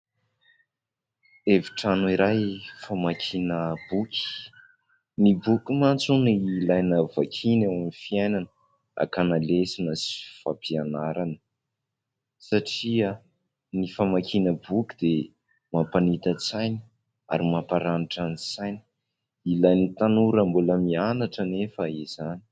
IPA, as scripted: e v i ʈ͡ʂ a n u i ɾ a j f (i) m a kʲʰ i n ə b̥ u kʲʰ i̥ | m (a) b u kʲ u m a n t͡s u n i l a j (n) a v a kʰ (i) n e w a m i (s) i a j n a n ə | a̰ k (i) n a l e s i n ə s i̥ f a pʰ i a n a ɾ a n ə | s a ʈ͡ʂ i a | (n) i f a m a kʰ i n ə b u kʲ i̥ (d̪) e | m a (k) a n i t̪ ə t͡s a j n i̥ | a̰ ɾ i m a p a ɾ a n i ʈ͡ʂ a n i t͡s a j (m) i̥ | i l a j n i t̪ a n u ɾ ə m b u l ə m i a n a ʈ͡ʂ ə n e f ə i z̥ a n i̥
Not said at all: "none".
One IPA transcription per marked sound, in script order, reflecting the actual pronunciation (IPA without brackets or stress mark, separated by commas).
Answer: a, i, n, i, f, a, n, d̪, p, n